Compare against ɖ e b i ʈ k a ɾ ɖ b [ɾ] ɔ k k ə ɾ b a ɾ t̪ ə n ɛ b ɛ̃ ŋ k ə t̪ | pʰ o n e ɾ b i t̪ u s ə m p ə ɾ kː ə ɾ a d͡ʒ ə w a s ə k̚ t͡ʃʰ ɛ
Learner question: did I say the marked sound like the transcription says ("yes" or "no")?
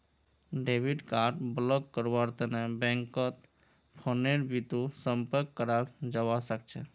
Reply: no